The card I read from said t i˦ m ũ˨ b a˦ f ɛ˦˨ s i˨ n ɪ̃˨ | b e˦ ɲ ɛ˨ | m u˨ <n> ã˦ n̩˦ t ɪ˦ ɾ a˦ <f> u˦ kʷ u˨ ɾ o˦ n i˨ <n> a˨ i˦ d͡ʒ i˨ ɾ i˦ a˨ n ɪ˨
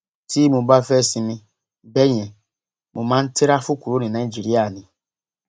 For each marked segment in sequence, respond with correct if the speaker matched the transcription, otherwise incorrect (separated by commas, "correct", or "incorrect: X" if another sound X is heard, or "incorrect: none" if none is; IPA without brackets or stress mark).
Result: incorrect: m, correct, correct